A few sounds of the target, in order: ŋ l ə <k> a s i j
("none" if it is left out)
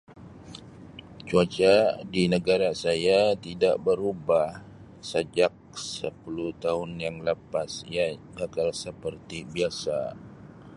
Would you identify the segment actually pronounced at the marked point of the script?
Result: p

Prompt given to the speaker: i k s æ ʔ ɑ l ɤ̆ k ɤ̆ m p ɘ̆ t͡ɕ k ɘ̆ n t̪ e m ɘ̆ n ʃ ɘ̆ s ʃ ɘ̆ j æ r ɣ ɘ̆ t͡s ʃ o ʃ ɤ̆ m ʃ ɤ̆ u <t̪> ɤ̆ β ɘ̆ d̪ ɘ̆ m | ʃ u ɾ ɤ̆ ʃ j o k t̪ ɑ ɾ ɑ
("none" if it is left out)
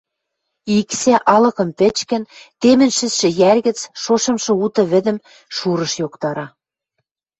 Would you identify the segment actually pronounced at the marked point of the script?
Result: t̪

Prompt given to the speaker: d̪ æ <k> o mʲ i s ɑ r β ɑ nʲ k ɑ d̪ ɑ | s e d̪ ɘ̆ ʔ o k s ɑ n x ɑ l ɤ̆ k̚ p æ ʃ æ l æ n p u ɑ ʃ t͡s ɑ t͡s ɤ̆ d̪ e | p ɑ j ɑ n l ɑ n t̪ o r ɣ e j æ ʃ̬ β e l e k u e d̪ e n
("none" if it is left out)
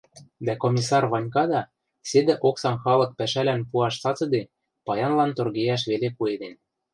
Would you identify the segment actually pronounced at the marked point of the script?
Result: k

